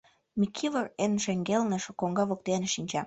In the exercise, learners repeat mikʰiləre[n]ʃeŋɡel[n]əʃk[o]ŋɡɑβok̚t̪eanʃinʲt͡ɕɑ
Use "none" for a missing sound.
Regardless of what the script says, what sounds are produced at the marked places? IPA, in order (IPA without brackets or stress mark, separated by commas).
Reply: n, n, o